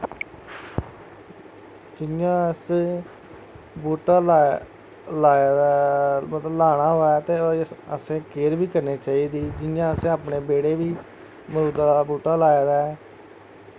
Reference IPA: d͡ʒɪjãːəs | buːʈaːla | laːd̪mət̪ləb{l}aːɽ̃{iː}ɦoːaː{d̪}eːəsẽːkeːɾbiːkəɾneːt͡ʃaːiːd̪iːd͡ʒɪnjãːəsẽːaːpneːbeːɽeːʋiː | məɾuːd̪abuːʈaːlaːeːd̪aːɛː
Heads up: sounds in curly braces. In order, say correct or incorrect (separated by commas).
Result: correct, incorrect, incorrect